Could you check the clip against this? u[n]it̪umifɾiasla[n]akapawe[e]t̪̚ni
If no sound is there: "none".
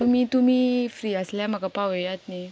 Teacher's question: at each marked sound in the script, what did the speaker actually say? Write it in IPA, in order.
m, m, a

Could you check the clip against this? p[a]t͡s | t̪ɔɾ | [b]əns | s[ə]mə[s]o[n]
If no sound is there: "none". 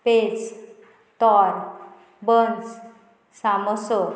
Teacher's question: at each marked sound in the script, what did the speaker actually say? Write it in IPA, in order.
e, b, a, s, none

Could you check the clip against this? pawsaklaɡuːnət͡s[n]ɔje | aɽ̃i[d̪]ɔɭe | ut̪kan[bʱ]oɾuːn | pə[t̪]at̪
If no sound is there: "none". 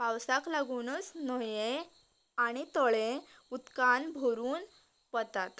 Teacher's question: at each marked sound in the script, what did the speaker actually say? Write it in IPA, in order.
n, t̪, bʱ, t̪

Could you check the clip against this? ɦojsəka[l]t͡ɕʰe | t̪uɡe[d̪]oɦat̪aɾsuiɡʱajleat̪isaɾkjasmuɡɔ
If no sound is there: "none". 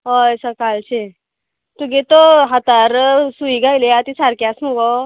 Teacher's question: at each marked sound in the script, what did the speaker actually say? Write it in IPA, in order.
l, t̪

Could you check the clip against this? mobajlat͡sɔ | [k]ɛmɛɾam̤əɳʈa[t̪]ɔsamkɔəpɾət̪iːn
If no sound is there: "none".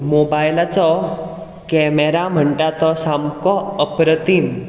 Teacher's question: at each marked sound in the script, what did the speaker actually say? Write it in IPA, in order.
k, t̪

